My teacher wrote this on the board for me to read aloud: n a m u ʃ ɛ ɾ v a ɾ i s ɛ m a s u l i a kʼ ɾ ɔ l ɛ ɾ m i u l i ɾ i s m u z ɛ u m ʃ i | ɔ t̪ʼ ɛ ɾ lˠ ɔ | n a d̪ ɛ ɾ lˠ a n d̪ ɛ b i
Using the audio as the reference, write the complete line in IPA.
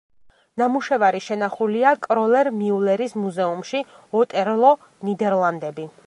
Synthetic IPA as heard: n a m u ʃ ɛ v a ɾ i ʃ ɛ n a χ u l i a kʼ ɾ ɔ l ɛ ɾ m i u l ɛ ɾ i s m u z ɛ u m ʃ i | ɔ t̪ʼ ɛ ɾ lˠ ɔ | n i d̪ ɛ ɾ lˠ a n d̪ ɛ b i